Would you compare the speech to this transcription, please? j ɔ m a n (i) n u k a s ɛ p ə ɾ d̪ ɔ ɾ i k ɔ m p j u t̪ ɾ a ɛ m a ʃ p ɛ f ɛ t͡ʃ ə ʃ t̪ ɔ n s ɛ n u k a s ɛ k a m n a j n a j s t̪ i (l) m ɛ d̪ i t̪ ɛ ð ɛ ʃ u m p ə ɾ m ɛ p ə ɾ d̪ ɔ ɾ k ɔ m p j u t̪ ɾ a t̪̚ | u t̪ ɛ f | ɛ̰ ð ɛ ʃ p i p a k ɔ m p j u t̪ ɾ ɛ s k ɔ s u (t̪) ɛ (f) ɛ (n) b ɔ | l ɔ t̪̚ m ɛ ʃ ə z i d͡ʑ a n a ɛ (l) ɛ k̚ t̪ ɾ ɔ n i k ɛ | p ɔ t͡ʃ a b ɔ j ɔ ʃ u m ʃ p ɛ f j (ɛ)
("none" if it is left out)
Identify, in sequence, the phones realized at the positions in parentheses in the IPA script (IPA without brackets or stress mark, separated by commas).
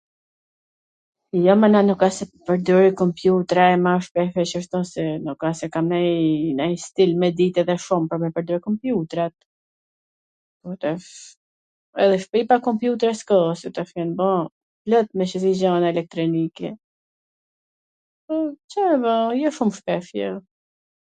a, l, t̪, f, n, l, ɛ